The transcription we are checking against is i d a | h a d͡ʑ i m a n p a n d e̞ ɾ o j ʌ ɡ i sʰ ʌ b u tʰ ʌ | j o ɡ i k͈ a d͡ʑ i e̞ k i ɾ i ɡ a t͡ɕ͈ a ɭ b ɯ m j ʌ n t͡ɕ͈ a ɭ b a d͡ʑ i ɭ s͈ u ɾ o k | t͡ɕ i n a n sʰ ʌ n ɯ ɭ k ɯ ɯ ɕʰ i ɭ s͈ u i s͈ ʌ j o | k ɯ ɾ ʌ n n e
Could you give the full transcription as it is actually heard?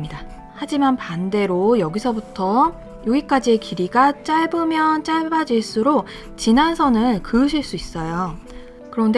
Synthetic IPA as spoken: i d a | h a d͡ʑ i m a n p a n d e̞ ɾ o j ʌ ɡ i sʰ ʌ b u tʰ ʌ | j o ɡ i k͈ a d͡ʑ i e̞ k i ɾ i ɡ a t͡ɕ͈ a ɭ b ɯ m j ʌ n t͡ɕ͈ a ɭ b a d͡ʑ i ɭ s͈ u ɾ o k | t͡ɕ i n a n sʰ ʌ n ɯ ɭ k ɯ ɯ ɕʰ i ɭ s͈ u i s͈ ʌ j o | k ɯ ɾ ʌ n d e